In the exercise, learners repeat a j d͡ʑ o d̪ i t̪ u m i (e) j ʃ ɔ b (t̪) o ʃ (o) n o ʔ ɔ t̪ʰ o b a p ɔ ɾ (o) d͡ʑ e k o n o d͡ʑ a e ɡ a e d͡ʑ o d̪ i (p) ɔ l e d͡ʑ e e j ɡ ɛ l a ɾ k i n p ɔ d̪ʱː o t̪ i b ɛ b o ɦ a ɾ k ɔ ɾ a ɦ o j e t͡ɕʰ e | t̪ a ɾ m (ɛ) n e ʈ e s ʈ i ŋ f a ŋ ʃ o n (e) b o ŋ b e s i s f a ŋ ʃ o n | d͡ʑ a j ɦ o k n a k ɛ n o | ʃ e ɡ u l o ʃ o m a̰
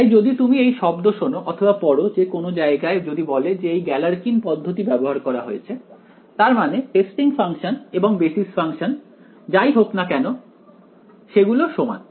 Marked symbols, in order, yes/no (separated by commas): yes, no, yes, yes, no, no, yes